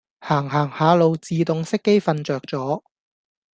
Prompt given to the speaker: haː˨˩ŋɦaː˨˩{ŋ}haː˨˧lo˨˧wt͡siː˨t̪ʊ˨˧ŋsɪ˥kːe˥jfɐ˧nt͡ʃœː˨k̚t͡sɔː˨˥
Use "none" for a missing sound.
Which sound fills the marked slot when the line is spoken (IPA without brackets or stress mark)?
ŋ